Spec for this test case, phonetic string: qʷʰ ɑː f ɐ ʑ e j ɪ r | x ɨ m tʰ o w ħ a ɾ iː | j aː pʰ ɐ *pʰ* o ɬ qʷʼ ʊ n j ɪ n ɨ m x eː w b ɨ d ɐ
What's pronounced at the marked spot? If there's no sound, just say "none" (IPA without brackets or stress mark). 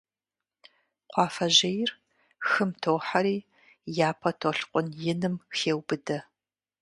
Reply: tʰ